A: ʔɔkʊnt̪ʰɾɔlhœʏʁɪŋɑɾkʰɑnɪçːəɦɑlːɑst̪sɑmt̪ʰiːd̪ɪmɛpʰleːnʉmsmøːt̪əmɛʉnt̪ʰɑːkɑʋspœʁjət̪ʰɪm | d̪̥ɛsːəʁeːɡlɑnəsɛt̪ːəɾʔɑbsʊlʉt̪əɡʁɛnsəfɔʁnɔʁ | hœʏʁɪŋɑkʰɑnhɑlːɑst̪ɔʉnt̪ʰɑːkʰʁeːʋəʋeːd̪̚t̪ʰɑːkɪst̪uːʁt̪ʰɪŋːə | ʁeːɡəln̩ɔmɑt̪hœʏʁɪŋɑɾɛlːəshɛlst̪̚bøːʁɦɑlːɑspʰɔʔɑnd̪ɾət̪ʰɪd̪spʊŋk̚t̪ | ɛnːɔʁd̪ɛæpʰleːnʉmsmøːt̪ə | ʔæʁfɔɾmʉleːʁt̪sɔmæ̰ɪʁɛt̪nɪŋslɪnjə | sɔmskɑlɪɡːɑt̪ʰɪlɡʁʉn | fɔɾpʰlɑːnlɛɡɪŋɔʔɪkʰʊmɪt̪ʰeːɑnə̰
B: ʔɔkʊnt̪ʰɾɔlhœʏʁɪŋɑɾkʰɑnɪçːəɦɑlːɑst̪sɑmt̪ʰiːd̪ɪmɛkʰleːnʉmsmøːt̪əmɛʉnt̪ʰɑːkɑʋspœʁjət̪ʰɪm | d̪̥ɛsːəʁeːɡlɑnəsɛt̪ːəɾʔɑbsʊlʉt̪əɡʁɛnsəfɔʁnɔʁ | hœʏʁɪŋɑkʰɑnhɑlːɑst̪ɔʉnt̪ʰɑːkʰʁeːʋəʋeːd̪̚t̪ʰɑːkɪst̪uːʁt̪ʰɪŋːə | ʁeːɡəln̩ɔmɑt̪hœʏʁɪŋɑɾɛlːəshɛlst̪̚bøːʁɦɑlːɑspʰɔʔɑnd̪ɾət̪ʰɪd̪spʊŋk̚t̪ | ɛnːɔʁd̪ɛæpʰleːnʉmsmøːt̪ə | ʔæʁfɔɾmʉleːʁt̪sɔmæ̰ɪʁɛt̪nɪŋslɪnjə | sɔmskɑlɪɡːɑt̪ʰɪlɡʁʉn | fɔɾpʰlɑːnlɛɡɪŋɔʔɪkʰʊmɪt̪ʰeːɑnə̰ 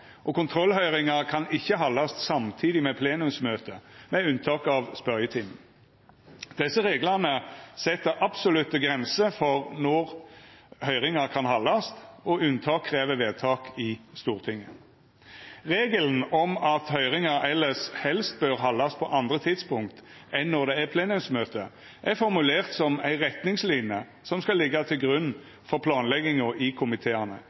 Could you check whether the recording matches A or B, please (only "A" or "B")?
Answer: A